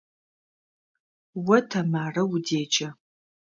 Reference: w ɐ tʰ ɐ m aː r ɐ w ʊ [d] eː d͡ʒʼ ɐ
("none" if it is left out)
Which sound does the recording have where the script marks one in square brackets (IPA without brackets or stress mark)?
d